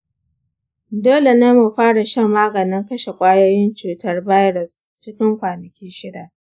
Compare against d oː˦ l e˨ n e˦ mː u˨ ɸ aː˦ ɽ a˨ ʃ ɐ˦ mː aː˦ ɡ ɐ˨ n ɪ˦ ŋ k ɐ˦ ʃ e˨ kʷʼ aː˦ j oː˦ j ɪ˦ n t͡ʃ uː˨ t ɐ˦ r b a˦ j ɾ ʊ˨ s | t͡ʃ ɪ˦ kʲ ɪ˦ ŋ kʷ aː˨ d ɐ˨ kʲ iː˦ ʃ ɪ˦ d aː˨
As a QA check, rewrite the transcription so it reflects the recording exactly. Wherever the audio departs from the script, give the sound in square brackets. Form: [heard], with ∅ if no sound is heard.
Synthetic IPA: d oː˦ l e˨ n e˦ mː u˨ ɸ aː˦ ɽ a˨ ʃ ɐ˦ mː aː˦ ɡ ɐ˨ n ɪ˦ ŋ k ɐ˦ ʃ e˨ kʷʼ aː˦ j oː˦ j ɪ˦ n t͡ʃ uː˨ t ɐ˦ r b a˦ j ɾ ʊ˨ s | t͡ʃ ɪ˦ kʲ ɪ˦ ŋ kʷ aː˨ [n] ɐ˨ kʲ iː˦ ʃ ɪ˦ d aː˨